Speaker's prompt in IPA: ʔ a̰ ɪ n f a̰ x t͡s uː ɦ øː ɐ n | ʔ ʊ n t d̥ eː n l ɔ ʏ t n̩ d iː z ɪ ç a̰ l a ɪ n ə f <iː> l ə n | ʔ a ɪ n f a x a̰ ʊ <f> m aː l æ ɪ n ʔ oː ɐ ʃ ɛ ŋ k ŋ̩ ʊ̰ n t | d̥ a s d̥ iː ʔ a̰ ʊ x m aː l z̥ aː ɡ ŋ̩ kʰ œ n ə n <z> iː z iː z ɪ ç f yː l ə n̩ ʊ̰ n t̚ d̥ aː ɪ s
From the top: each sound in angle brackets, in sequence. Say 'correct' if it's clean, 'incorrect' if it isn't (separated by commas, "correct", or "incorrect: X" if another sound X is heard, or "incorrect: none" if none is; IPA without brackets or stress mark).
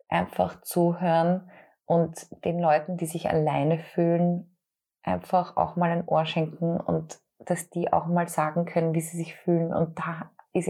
incorrect: yː, incorrect: x, incorrect: v